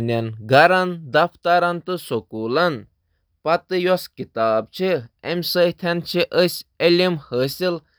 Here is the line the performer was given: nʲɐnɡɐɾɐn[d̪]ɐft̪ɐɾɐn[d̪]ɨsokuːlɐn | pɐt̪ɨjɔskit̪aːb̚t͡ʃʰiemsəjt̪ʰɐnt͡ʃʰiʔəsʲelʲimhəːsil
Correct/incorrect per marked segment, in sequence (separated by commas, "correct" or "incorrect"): correct, incorrect